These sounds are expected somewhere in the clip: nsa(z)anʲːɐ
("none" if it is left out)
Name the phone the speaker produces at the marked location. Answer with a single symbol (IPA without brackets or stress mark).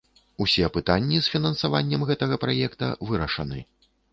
v